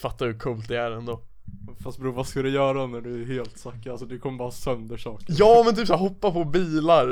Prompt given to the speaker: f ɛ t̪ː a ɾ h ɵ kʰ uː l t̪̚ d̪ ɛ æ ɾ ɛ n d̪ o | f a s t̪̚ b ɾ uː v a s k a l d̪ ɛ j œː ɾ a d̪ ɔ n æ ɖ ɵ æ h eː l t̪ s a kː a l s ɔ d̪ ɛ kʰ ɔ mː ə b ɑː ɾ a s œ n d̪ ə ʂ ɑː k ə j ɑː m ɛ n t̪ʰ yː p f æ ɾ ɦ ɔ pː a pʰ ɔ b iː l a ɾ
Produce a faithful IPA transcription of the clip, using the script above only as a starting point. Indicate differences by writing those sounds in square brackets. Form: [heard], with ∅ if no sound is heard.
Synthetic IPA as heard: f [a] t̪ː a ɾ h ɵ kʰ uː l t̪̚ d̪ ɛ æ ɾ ɛ n d̪ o | f a s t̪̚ b ɾ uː v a s k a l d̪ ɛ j œː ɾ a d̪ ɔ n æ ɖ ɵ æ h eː l t̪ s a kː a l s ɔ d̪ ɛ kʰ ɔ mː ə b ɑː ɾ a s œ n d̪ ə ʂ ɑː k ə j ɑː m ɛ n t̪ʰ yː p [s] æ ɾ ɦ ɔ pː a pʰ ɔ b iː l a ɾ